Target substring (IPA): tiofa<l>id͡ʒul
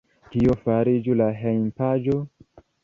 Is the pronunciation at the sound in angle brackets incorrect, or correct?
incorrect